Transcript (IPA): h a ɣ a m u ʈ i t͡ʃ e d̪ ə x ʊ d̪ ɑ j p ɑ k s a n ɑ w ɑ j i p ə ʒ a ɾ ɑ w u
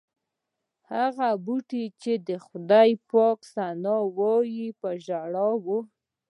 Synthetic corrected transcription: h a ɣ a b u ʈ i t͡ʃ e d̪ ə x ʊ d̪ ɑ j p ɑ k s a n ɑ w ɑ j i p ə ʒ a ɽ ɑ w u